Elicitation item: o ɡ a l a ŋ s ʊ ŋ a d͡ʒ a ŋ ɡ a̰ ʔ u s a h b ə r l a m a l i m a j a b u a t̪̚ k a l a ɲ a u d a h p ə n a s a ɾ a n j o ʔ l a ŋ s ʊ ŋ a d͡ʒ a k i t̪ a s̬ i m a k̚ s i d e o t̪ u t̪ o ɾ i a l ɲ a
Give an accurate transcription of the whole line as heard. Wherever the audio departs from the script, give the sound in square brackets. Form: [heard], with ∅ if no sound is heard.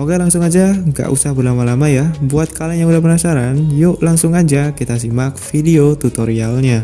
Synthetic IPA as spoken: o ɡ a l a ŋ s ʊ ŋ a d͡ʒ a ŋ ɡ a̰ ʔ u s a h b ə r l a m a l [a] m a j a b u a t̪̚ k a l a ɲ a u d a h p ə n a s a ɾ a n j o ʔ l a ŋ s ʊ ŋ a d͡ʒ a k i t̪ a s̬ i m a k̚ [f] i d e o t̪ u t̪ o ɾ i a l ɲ a